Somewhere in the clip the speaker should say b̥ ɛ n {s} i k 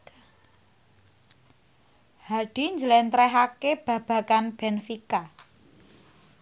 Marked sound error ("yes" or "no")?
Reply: yes